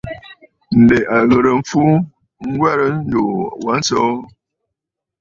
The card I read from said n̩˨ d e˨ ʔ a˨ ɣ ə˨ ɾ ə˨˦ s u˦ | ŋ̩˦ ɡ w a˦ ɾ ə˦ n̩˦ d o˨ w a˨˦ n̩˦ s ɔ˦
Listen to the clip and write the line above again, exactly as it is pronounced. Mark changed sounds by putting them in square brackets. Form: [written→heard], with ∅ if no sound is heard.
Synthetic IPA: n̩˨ d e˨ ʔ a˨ ɣ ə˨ ɾ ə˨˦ [s→f] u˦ | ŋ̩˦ ɡ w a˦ ɾ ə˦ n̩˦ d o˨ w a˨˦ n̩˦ s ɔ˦

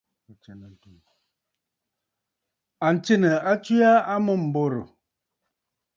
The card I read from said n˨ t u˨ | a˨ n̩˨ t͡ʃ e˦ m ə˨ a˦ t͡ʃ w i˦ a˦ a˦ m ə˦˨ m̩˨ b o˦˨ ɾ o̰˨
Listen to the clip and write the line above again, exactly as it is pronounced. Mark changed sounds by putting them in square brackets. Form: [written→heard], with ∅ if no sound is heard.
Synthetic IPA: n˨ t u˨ | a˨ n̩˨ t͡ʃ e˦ [m→n] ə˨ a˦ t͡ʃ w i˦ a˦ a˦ m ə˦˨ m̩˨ b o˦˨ ɾ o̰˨

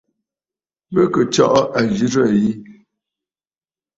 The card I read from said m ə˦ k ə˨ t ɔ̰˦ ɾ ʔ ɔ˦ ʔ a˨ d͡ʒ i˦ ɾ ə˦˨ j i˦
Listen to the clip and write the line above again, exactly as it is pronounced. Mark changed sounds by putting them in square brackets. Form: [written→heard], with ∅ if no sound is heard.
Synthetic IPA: [m→b] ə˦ k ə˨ [t→t͡ʃ] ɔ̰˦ [ɾ→∅] ʔ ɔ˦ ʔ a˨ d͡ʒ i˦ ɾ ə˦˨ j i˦

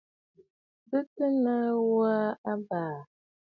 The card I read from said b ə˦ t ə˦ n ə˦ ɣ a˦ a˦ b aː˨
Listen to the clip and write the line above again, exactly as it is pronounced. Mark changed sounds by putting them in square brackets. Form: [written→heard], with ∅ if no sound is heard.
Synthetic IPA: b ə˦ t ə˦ n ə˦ [ɣ→w] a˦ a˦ b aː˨

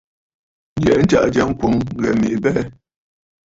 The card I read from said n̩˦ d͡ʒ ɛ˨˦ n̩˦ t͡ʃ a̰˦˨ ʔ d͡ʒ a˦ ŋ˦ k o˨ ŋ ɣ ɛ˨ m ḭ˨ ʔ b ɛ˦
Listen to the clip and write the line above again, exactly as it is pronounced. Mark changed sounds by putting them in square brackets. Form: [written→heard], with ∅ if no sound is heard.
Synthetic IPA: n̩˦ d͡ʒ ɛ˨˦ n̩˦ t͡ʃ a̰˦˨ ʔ d͡ʒ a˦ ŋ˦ k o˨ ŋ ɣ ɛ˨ m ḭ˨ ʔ b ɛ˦

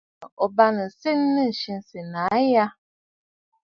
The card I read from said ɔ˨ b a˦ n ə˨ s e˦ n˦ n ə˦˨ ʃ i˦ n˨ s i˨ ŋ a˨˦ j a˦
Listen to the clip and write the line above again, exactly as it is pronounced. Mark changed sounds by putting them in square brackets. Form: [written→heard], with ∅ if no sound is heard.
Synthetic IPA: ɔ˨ b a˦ n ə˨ s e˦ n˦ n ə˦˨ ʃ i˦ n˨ s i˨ [ŋ→n] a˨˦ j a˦

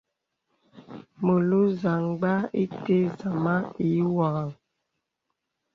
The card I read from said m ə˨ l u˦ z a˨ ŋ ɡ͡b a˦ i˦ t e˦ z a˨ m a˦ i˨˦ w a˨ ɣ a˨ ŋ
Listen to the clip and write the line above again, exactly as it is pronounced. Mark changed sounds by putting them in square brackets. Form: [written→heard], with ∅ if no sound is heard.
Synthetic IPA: m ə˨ l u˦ z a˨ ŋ ɡ͡b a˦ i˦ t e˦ z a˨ m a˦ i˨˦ w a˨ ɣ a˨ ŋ

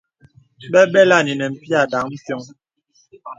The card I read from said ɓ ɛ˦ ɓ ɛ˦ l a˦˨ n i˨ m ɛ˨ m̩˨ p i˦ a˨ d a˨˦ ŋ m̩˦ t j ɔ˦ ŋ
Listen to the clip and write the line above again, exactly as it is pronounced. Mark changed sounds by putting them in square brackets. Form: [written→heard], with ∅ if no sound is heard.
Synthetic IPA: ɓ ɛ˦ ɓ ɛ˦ l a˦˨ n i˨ [m→n] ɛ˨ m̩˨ p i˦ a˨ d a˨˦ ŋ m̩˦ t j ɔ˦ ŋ

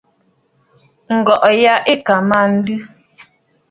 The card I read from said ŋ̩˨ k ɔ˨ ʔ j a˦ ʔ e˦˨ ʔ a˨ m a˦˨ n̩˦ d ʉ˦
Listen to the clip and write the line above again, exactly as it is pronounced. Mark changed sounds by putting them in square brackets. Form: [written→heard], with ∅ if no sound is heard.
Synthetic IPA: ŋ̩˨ [k→ɡ] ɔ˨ ʔ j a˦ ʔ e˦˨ [ʔ→k] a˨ m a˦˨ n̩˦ d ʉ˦

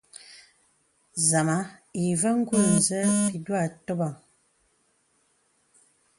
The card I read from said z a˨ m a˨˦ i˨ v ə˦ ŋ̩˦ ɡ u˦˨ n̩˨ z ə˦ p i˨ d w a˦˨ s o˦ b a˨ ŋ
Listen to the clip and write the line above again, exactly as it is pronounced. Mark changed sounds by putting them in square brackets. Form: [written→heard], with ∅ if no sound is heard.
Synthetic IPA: z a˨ m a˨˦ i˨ v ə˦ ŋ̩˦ ɡ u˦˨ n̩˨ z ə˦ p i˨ d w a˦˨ [s→t] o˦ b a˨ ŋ

